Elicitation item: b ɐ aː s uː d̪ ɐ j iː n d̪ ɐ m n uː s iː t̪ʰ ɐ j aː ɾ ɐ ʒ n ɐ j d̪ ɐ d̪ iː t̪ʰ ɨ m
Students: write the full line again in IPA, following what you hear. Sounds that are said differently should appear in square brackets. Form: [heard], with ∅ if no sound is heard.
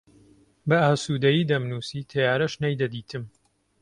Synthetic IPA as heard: b ɐ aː s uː d̪ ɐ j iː [∅] d̪ ɐ m n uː s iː t̪ʰ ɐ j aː ɾ ɐ [ʃ] n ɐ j d̪ ɐ d̪ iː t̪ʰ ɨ m

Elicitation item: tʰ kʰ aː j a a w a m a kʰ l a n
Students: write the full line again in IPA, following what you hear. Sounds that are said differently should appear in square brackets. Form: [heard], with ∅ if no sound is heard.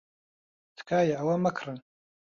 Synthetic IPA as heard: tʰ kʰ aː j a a w a m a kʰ [r] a n

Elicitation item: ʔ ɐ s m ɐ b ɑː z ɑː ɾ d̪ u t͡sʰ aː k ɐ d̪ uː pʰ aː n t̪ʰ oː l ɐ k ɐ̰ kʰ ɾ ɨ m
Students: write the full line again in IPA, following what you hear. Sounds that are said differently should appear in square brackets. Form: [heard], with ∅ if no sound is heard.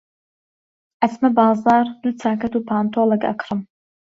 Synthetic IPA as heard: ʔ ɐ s m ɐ b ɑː z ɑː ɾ d̪ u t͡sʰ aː k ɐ [t̪] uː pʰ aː n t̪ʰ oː l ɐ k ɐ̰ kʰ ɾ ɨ m

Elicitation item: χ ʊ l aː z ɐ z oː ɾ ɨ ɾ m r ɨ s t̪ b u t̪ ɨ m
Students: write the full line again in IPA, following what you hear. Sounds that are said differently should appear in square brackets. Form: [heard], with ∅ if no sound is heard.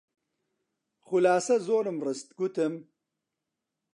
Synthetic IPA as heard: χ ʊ l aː [s] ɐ z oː ɾ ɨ [∅] m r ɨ s t̪ [ɡ] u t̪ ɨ m

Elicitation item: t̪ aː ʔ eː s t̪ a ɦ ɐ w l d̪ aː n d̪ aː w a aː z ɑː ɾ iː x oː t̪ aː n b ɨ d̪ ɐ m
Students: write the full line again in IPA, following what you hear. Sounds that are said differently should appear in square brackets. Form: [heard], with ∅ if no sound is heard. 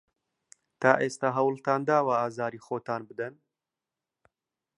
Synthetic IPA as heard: t̪ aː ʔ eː s t̪ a ɦ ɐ w l [t̪] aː n d̪ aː w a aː z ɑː ɾ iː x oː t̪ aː n b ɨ d̪ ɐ [n]

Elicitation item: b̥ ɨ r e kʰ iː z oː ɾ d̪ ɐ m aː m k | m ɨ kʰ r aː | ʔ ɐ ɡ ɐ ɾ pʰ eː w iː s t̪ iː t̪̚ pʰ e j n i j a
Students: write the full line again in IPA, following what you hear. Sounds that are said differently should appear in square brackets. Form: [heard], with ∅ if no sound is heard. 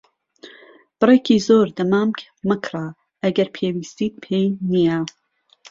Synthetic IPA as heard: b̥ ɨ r e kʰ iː z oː ɾ d̪ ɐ m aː m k | m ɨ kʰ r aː | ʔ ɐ ɡ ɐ ɾ pʰ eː w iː s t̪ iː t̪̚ pʰ e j n i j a

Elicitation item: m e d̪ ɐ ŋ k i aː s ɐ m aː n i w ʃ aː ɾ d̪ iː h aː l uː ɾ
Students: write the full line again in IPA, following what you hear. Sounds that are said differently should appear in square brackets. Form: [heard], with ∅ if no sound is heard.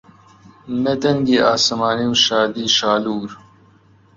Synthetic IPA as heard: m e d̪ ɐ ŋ [ɡ] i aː s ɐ m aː n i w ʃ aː [∅] d̪ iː [ʃ] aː l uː ɾ

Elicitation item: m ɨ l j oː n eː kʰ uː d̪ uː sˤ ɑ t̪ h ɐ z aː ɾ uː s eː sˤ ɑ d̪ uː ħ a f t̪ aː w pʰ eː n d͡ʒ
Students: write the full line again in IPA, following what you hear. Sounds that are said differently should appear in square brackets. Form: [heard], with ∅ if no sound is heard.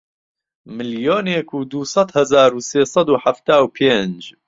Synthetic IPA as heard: m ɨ l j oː n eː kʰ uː d̪ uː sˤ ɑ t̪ h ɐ z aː ɾ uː s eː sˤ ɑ d̪ uː ħ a f t̪ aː w pʰ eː n d͡ʒ

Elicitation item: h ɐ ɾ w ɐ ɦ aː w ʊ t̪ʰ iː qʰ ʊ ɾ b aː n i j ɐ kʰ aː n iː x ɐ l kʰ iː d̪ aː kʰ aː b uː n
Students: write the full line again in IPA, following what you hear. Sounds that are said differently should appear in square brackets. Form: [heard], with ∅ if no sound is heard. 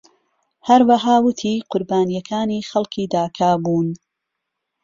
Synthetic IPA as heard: h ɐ ɾ w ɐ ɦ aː w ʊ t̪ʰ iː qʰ ʊ ɾ b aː n i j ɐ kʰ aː n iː x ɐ l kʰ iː d̪ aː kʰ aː b uː n

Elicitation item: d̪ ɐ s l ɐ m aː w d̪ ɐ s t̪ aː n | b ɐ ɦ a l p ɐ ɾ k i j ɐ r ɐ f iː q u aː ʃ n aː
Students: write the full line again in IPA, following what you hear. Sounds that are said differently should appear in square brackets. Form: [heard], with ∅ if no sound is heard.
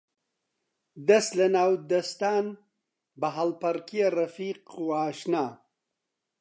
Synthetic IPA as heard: d̪ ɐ s l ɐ [n] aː w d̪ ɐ s t̪ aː n | b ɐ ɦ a l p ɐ ɾ k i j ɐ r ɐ f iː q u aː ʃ n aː

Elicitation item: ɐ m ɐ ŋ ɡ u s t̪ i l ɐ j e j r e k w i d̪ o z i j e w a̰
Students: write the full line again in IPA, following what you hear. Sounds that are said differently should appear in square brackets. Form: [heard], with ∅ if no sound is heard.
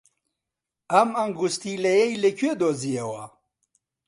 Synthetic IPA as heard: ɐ m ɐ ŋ ɡ u s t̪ i l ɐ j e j [l] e k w [e] d̪ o z i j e w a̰

